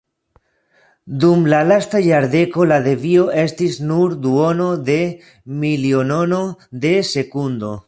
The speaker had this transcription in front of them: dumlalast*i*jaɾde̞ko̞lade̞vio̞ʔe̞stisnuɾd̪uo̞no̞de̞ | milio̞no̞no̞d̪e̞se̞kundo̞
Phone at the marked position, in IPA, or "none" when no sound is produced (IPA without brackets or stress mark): a